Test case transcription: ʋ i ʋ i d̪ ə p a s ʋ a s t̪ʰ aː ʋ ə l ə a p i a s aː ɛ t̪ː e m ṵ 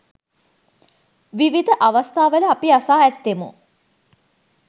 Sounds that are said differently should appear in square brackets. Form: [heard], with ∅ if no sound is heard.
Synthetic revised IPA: ʋ i ʋ i d̪ ə [ʔ] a [∅] ʋ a s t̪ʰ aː ʋ ə l ə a p i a s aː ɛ t̪ː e m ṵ